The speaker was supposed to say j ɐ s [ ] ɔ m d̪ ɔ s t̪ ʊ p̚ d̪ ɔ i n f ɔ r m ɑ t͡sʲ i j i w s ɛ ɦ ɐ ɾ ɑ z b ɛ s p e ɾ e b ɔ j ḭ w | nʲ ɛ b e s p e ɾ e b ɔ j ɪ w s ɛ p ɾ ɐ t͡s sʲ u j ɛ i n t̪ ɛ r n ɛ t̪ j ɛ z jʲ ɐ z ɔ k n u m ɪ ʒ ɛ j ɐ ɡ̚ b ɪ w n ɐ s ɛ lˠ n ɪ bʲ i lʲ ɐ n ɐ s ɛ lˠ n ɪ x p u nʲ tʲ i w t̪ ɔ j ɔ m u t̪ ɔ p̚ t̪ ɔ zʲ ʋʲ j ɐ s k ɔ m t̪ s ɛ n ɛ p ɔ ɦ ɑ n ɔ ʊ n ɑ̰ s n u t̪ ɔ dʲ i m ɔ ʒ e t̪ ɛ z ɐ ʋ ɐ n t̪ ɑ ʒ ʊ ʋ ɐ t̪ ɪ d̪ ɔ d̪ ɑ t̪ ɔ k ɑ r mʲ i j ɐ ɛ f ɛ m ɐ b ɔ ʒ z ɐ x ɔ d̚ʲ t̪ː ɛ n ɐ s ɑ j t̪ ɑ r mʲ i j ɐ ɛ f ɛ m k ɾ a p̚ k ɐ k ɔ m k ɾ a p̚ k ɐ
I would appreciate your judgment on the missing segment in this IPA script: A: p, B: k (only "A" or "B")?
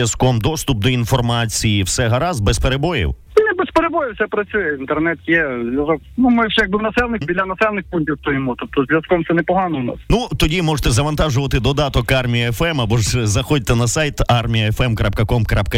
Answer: B